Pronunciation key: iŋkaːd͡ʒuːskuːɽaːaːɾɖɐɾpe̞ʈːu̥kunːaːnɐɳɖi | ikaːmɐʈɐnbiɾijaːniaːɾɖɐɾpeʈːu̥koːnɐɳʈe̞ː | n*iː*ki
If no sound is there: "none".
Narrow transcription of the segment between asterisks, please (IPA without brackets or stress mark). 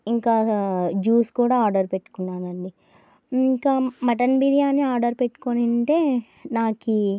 aː